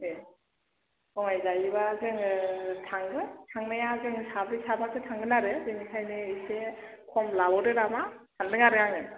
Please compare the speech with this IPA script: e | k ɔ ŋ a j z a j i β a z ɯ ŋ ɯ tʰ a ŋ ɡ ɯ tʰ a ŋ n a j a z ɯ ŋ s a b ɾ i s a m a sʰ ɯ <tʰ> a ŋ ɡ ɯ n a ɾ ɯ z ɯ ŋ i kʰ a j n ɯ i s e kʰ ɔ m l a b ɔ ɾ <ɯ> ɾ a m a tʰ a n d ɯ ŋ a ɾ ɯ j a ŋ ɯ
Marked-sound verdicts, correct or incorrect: correct, correct

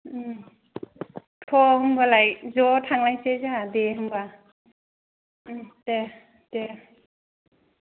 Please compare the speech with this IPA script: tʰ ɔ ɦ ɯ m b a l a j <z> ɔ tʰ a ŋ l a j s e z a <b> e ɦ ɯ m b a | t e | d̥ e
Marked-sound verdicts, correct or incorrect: correct, incorrect: d

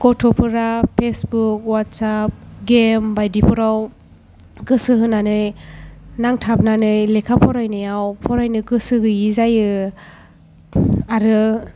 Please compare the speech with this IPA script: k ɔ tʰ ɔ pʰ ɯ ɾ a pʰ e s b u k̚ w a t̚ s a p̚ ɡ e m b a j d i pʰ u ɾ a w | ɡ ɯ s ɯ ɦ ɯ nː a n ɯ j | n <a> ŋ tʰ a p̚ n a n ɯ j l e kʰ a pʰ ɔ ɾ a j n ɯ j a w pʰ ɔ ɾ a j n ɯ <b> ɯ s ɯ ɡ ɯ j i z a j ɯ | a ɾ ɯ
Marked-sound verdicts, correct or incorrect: correct, incorrect: ɡ

